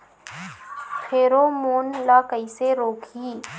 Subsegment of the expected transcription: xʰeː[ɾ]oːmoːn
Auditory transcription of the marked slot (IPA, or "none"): ɾ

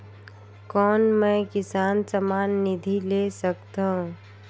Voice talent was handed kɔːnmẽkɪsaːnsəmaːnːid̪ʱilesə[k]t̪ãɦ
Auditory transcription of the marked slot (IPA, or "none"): k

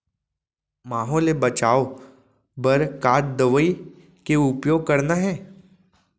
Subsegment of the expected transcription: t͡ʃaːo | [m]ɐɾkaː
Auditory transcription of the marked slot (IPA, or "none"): b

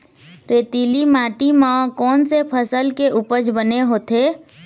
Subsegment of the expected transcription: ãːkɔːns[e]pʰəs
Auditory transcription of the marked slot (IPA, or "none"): e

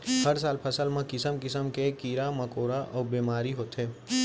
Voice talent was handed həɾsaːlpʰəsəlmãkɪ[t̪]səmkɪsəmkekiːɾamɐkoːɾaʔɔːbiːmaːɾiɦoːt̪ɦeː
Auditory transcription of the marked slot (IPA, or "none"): none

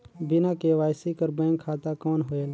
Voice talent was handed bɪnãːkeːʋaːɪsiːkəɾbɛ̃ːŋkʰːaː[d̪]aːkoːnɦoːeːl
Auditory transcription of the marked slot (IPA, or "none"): t̪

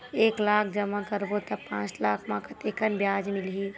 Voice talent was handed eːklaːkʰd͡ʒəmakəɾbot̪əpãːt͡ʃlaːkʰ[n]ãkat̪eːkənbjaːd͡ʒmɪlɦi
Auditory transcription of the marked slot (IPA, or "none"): m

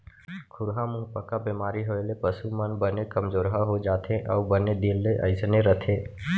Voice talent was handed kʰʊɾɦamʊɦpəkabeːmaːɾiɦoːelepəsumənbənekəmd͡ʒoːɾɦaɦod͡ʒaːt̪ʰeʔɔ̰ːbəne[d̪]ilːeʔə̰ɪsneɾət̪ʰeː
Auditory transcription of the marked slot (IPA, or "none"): d̪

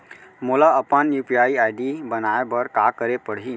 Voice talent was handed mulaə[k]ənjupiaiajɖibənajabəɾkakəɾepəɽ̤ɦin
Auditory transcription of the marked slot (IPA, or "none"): p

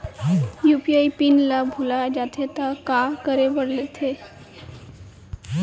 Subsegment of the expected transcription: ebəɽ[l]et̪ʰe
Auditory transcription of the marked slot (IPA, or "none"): l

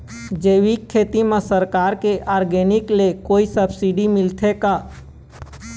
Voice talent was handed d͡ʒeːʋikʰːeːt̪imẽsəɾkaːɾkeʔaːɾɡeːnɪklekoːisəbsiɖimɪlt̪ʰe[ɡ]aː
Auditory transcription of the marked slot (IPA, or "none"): k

